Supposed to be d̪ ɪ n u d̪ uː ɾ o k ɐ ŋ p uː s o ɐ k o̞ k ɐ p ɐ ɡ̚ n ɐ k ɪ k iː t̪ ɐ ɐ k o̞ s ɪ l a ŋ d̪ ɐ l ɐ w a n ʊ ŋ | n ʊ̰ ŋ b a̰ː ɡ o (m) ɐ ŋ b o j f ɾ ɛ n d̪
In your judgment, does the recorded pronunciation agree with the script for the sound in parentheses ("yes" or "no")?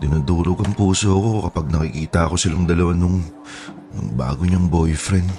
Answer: no